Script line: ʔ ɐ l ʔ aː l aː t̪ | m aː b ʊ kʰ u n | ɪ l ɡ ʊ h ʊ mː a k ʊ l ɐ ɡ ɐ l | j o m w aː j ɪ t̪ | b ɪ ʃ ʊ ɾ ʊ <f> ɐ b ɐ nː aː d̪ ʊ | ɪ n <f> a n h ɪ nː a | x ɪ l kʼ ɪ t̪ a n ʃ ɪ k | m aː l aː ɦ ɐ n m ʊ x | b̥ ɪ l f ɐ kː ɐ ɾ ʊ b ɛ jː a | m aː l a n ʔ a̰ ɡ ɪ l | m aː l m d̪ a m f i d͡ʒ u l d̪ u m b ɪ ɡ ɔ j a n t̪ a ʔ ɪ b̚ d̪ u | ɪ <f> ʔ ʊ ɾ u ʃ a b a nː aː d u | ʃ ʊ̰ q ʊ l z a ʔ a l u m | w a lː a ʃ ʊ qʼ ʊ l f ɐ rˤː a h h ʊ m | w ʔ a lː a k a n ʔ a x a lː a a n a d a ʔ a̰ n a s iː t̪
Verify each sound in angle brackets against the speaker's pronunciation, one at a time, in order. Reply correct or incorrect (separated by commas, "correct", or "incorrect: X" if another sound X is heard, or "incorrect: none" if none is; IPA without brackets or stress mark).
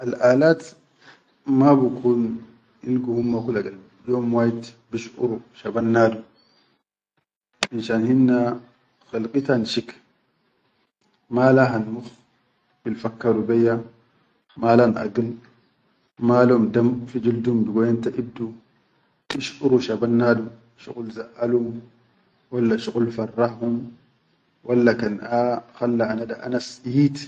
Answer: incorrect: ʃ, incorrect: ʃ, incorrect: ʃ